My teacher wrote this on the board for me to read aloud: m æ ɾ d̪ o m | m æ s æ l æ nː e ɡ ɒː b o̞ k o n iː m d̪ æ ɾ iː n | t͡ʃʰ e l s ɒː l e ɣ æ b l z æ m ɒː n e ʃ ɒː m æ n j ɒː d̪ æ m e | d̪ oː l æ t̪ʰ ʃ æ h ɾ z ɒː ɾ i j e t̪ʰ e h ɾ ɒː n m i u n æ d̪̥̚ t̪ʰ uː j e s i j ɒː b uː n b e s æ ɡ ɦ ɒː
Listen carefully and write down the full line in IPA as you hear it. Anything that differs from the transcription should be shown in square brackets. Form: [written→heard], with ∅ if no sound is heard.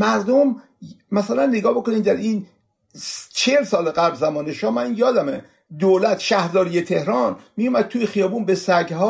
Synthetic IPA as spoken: m æ ɾ d̪ o m | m æ s æ l æ nː e ɡ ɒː b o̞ k o n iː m d̪ æ ɾ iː n | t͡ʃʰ e l s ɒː l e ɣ æ b l z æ m ɒː n e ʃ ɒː m æ n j ɒː d̪ æ m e | d̪ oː l æ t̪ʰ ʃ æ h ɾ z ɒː ɾ i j e t̪ʰ e h ɾ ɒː n m i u [n→m] æ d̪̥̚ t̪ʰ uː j e [s→x] i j ɒː b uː n b e s æ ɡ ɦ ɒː